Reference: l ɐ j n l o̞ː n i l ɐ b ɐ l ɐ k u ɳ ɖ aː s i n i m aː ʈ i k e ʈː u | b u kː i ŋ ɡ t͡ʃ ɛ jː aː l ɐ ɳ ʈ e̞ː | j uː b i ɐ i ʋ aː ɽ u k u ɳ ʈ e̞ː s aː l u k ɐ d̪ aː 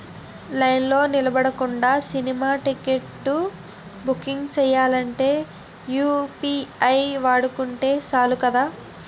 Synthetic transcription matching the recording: l ɐ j n l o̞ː n i l ɐ b ɐ ɽ ɐ k u ɳ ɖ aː s i n i m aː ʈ i k e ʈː u | b u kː i ŋ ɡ t͡ʃ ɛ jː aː l ɐ ɳ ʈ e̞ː | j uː p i ɐ j ʋ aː ɽ u k u ɳ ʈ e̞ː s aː l u k ɐ d̪ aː